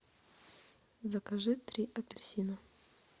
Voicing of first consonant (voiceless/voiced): voiced